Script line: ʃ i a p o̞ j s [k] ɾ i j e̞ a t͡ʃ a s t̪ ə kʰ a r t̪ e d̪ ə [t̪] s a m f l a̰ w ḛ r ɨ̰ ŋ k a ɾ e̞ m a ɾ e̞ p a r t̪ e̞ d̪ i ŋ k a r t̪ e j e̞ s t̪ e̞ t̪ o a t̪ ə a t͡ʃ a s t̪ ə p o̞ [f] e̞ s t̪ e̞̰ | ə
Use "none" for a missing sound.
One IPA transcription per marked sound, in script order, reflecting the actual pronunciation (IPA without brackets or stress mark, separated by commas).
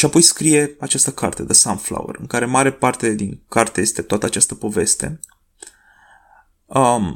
k, none, v